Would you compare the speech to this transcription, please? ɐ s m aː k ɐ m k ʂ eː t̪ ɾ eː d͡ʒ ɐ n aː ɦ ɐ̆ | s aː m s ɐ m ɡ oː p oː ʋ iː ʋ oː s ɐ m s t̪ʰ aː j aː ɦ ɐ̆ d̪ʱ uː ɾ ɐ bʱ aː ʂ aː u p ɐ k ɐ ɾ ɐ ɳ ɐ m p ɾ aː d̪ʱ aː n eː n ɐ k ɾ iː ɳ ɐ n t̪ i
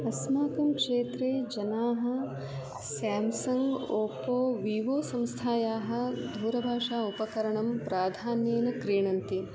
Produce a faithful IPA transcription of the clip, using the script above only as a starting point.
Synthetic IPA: ɐ s m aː k ɐ m k ʂ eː t̪ ɾ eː d͡ʒ ɐ n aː ɦ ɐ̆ | s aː m s ɐ ŋ ɡ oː p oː ʋ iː ʋ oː s ɐ m s t̪ʰ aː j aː ɦ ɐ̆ d̪ʱ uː ɾ ɐ bʱ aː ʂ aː u p ɐ k ɐ ɾ ɐ ɳ ɐ m p ɾ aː d̪ʱ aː n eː n ɐ k ɾ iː ɳ ɐ n t̪ i